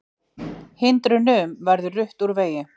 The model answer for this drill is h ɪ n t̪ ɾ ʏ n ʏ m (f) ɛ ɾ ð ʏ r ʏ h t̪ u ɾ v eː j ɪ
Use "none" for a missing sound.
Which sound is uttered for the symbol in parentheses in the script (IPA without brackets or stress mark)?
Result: v